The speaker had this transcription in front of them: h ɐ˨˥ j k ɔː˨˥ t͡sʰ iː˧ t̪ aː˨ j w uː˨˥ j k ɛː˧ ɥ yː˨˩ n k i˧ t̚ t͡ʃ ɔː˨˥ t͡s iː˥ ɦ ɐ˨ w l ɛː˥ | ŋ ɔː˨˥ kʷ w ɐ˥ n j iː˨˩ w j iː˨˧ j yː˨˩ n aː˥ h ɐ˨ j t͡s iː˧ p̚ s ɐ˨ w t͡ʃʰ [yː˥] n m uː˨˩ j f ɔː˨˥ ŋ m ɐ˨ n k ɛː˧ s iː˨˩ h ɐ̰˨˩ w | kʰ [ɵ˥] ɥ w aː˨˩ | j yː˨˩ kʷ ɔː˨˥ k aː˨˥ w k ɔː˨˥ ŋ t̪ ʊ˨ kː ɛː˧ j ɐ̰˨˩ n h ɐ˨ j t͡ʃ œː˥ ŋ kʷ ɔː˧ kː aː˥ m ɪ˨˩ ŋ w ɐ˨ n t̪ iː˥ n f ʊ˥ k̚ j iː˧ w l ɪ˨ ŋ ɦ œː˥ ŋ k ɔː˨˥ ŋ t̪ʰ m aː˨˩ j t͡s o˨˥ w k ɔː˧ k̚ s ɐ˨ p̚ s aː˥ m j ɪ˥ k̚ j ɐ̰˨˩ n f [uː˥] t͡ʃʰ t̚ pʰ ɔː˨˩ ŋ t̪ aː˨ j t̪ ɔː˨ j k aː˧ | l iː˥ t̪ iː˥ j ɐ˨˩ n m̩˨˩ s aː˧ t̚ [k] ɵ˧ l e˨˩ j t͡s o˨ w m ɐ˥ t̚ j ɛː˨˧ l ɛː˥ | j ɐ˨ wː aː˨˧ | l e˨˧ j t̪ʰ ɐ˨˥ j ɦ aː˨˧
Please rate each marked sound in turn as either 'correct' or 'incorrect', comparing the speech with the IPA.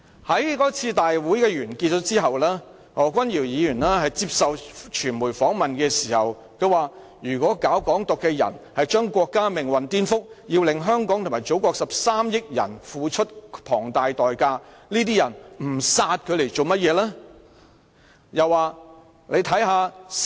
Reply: incorrect, incorrect, incorrect, incorrect

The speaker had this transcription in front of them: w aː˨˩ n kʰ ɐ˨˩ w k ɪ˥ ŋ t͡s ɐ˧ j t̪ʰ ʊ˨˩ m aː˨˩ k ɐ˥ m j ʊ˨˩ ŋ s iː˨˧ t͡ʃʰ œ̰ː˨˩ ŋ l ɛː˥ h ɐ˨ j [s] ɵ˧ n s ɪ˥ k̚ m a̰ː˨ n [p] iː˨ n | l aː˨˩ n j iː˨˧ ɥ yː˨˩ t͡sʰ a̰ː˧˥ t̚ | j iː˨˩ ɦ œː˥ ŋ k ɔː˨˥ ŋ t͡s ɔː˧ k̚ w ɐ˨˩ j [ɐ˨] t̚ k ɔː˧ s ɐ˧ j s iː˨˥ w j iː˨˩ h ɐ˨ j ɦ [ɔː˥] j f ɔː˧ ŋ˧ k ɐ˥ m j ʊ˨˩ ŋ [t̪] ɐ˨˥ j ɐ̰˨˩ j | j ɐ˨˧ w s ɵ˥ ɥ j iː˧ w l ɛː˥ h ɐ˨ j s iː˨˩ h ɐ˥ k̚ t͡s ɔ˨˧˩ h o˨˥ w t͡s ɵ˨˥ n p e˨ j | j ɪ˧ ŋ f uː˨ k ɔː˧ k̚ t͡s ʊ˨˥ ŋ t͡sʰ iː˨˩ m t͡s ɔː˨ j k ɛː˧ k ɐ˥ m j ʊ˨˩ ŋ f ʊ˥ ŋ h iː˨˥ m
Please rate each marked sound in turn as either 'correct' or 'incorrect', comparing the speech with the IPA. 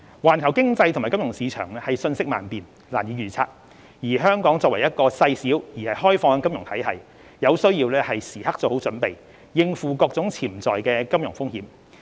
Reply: correct, correct, incorrect, correct, incorrect

